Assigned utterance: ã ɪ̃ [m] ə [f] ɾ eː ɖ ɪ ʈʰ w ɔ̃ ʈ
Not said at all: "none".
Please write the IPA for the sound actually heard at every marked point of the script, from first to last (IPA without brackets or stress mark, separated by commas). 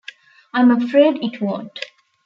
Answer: m, f